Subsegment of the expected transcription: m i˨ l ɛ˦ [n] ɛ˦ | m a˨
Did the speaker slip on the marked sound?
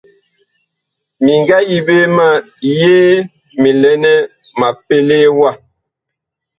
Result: no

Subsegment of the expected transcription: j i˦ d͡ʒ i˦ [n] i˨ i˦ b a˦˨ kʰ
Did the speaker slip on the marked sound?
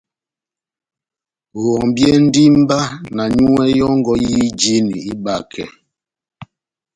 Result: no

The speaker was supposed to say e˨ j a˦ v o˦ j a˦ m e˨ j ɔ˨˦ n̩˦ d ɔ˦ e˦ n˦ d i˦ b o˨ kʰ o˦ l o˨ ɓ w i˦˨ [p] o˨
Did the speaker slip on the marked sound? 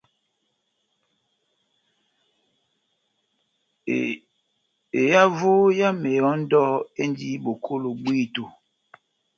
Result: yes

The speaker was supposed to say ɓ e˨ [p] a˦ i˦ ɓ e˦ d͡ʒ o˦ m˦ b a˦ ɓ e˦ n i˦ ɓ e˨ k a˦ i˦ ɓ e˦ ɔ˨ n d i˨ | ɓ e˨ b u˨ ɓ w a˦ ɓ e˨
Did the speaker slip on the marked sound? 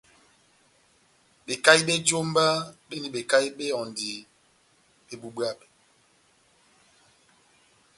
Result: yes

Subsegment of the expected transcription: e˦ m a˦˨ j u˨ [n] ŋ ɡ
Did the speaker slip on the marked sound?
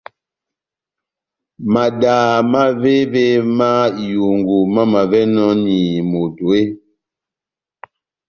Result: yes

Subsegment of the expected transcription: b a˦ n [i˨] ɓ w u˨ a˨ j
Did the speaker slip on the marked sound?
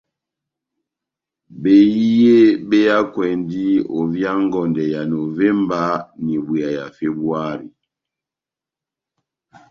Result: no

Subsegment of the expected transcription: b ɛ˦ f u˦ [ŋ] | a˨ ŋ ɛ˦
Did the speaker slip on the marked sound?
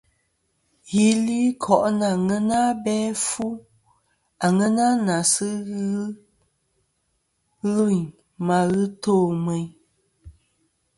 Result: yes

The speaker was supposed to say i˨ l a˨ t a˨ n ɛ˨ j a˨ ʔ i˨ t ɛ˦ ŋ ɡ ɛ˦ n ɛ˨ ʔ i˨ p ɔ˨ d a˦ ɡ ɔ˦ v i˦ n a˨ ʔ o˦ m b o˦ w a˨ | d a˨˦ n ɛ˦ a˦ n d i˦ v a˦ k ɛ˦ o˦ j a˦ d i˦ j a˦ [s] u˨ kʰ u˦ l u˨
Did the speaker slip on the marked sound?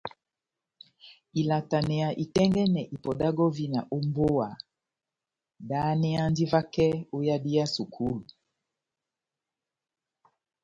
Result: no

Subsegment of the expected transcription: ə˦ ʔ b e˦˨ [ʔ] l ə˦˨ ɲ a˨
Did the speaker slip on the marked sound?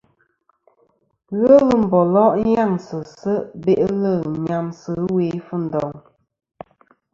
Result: no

